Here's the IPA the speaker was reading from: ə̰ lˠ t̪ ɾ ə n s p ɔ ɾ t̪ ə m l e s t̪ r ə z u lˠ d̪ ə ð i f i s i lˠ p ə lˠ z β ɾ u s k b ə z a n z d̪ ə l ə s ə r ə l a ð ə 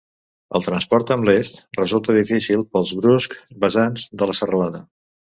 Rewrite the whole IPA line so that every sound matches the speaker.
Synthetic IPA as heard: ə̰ lˠ t̪ ɾ ə n s p ɔ ɾ t̪ ə m l e s t̪ r ə z u lˠ t̪ ə ð i f i s i lˠ p ə lˠ z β ɾ u s k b ə z a n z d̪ ə l ə s ə r ə l a ð ə